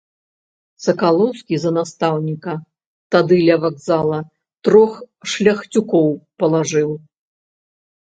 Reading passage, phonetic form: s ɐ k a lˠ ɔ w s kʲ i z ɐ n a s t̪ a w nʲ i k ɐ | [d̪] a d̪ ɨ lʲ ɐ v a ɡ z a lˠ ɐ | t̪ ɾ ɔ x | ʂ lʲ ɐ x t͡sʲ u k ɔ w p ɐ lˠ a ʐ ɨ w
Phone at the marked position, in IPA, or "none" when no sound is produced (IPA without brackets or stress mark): t̪